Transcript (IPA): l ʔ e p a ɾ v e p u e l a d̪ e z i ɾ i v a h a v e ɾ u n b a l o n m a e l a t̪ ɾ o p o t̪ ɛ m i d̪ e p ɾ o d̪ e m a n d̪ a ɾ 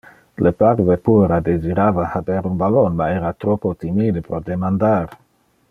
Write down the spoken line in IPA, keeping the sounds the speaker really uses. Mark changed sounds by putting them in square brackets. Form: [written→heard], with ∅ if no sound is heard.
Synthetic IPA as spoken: l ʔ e p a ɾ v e p u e [l→ɾ] a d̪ e z i ɾ [i→a] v a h a [v→b] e ɾ u n b a l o n m a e [l→ɾ] a t̪ ɾ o p o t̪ [ɛ→i] m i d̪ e p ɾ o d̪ e m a n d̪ a ɾ